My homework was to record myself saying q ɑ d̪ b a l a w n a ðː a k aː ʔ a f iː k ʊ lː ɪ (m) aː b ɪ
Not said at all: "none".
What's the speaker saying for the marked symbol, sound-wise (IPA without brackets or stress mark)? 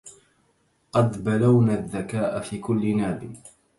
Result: n